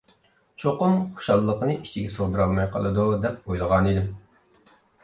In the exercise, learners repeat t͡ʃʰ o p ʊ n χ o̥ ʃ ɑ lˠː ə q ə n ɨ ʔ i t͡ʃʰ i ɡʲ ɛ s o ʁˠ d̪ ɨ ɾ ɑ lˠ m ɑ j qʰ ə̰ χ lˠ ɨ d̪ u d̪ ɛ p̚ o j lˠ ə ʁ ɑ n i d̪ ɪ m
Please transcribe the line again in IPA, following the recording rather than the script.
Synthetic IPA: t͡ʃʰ o q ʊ m χ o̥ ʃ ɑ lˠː ə q ə n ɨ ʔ i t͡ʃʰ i ɡʲ ɛ s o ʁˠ d̪ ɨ ɾ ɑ lˠ m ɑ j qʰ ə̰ lˠ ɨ d̪ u d̪ ɛ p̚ o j lˠ ə ʁ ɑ n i d̪ ɪ m